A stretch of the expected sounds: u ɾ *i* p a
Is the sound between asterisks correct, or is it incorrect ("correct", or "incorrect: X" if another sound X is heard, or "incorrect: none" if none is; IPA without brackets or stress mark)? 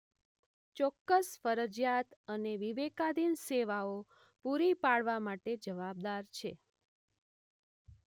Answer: correct